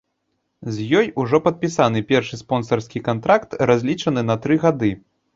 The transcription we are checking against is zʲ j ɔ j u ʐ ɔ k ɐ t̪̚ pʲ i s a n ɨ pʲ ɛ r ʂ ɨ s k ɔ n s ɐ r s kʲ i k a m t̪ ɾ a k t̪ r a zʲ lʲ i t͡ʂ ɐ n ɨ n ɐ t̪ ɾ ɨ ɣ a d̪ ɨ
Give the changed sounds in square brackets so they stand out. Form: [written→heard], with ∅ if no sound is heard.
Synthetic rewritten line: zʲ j ɔ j u ʐ ɔ [k→p] ɐ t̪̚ pʲ i s a n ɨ pʲ ɛ r ʂ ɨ s [k→p] ɔ n s ɐ r s kʲ i k a [m→n] t̪ ɾ a k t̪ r a zʲ lʲ i t͡ʂ ɐ n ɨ n ɐ t̪ ɾ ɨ ɣ a d̪ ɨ